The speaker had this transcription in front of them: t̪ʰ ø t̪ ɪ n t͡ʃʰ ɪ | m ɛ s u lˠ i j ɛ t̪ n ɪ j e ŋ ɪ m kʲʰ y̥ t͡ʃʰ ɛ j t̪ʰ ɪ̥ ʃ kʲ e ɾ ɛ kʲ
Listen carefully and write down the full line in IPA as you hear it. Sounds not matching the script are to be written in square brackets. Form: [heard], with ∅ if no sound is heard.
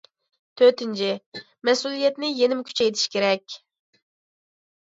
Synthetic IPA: t̪ʰ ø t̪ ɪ n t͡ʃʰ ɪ | m ɛ s u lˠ i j ɛ t̪ n ɪ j e [n] ɪ m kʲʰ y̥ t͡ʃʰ ɛ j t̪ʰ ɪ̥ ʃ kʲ e ɾ ɛ kʲ